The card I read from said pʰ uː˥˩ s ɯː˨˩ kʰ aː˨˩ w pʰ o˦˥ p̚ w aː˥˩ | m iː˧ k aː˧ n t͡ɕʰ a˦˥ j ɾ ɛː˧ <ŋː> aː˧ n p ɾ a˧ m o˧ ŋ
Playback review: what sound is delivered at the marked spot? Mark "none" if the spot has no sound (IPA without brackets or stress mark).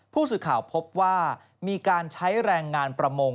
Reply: ŋː